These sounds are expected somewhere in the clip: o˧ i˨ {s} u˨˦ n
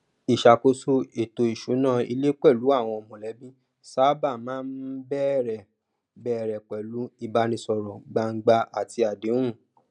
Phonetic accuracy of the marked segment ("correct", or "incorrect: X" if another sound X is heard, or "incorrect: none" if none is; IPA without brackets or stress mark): incorrect: ʃ